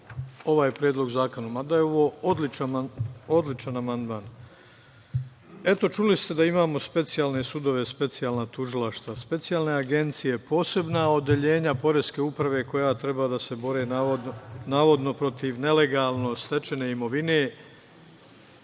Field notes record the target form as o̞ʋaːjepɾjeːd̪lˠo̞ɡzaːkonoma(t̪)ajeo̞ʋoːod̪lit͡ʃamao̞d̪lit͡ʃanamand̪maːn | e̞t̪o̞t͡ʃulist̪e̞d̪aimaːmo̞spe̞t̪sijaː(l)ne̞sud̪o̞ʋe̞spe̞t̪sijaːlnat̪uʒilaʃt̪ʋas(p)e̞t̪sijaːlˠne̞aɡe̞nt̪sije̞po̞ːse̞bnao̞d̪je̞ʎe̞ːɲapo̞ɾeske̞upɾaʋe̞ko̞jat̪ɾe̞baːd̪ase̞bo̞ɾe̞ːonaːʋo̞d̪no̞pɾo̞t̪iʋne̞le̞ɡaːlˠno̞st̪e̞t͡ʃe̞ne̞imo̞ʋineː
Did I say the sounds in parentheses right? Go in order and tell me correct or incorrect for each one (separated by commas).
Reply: incorrect, correct, correct